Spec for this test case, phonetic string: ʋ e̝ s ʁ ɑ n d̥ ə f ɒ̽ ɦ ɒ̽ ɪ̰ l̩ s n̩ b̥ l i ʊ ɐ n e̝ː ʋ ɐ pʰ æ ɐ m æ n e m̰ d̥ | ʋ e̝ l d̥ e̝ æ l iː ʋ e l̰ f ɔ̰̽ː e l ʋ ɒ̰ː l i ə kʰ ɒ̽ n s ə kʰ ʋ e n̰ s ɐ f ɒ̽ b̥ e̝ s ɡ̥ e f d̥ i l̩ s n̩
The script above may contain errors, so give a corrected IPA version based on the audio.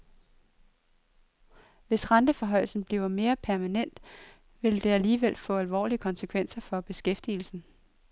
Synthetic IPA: ʋ e̝ s ʁ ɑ n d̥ ə f ɒ̽ ɦ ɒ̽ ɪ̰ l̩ s n̩ b̥ l i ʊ ɐ m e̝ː ɐ pʰ æ ɐ m æ n e n̰ d̥ | ʋ e̝ l d̥ e̝ æ l iː ʋ e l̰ f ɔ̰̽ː æ l ʋ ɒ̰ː l i ə kʰ ɒ̽ n s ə kʰ ʋ e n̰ s ɐ f ɒ̽ b̥ e̝ s ɡ̥ e f d̥ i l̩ s n̩